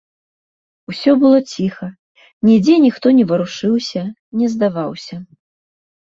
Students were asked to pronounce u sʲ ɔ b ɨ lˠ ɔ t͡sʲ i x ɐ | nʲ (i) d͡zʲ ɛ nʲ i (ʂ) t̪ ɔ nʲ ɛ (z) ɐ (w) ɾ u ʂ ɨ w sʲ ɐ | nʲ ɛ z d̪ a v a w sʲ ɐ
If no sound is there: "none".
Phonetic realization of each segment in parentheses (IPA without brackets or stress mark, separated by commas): ɛ, x, v, none